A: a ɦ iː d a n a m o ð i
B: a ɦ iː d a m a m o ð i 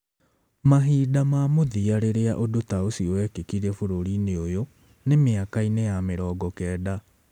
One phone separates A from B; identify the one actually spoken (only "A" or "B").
B